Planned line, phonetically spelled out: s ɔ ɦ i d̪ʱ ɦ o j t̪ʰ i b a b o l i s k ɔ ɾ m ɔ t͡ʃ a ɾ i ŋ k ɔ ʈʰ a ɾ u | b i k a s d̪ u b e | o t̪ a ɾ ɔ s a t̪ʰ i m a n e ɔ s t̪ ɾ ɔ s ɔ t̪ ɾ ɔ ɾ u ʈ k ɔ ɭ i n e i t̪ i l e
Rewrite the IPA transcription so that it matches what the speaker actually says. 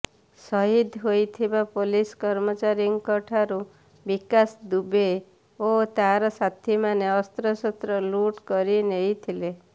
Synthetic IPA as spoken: s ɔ ɦ i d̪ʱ ɦ o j t̪ʰ i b a p o l i s k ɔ ɾ m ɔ t͡ʃ a ɾ i ŋ k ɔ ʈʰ a ɾ u | b i k a s d̪ u b e | o t̪ a ɾ ɔ s a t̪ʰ i m a n e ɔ s t̪ ɾ ɔ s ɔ t̪ ɾ ɔ l u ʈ k ɔ ɾ i n e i t̪ʰ i l e